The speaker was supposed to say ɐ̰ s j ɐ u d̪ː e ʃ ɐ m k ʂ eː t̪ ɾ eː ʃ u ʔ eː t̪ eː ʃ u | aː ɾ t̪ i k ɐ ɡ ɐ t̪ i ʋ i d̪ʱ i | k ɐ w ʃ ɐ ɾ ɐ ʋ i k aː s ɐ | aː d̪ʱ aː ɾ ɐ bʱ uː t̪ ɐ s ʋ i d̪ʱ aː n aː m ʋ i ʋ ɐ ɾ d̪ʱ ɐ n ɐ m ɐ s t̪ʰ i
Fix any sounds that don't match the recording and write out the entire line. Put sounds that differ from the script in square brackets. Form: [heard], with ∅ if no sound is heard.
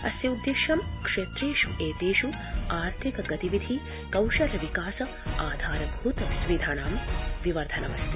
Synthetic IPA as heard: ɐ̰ s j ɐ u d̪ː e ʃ ɐ m k ʂ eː t̪ ɾ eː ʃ u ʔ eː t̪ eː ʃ u | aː ɾ [t̪ʰ] i k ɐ ɡ ɐ t̪ i ʋ i d̪ʱ i | k ɐ w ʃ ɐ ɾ ɐ ʋ i k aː s ɐ | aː d̪ʱ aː ɾ ɐ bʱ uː t̪ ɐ s ʋ i d̪ʱ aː n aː m ʋ i ʋ ɐ ɾ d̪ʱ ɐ n ɐ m ɐ s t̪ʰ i